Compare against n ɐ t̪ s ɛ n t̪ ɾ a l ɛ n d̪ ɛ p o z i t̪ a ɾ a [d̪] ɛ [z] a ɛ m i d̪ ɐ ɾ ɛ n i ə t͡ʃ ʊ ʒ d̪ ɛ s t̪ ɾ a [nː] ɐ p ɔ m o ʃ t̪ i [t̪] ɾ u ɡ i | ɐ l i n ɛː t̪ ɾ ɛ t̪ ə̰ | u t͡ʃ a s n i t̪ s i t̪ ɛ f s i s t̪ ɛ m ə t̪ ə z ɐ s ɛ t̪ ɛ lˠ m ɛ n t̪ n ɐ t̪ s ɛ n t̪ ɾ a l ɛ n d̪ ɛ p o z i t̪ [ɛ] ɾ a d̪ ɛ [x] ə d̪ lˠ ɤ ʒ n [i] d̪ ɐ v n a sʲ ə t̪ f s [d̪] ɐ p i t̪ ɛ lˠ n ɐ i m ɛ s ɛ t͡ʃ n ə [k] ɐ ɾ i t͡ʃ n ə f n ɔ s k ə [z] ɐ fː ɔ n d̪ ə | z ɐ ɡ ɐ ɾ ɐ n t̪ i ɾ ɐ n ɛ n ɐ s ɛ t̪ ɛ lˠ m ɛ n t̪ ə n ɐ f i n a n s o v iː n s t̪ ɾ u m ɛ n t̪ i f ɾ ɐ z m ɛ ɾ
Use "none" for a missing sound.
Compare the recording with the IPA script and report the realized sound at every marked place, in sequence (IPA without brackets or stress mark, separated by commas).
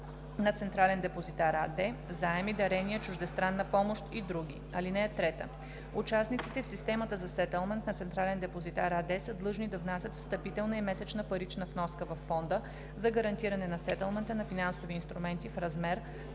d̪, z, nː, d̪, a, s, i, t̪, p, v